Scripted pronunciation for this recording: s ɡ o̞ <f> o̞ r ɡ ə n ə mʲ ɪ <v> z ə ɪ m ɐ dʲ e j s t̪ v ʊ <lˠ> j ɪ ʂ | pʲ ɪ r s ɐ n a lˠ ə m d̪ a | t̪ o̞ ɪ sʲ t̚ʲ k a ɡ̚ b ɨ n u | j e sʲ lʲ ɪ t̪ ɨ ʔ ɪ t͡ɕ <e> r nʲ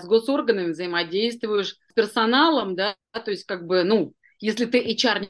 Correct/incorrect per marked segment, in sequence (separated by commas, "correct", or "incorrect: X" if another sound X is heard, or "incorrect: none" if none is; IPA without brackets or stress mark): incorrect: s, correct, incorrect: none, incorrect: a